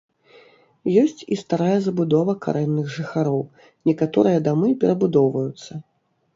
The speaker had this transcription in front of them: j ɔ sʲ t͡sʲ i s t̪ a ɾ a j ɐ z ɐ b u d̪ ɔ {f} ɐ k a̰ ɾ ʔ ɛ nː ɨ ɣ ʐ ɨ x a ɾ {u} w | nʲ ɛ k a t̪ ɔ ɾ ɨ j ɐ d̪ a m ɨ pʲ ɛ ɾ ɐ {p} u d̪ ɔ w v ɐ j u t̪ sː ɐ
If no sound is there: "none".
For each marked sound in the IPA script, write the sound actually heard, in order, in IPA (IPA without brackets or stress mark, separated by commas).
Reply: v, ɔ, b